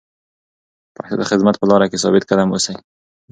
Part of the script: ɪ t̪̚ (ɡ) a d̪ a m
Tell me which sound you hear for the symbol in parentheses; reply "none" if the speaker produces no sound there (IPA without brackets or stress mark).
k